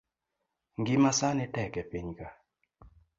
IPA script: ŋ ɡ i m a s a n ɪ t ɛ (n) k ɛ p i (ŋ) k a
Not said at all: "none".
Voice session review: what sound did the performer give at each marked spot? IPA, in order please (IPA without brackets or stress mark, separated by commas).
none, ɲ